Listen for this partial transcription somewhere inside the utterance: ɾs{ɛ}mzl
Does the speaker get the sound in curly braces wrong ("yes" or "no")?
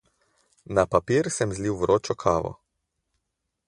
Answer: no